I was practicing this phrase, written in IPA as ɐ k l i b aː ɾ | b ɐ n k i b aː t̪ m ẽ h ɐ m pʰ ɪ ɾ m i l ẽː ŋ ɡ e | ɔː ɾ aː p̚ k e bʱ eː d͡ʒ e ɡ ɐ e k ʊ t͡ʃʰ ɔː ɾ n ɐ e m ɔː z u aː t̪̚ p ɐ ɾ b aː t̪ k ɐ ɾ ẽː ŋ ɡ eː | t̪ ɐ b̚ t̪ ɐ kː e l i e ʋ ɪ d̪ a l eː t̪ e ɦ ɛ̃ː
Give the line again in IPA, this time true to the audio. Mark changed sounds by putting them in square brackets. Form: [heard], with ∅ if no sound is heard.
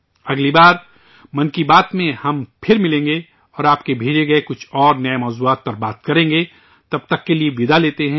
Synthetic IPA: ɐ [ɡ] l i b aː ɾ | [m] ɐ n k i b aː t̪ m ẽ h ɐ m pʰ ɪ ɾ m [ɪ] l ẽː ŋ ɡ e | ɔː ɾ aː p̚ k e bʱ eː d͡ʒ e ɡ ɐ e k ʊ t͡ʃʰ ɔː ɾ n ɐ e m ɔː z u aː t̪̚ p ɐ ɾ b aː t̪ k ɐ ɾ ẽː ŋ ɡ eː | t̪ ɐ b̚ t̪ ɐ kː e l i e ʋ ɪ d̪ a l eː t̪ e ɦ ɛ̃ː